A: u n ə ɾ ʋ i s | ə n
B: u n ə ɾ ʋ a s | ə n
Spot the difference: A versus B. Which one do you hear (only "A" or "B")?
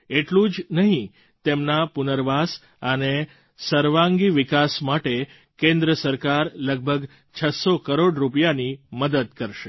B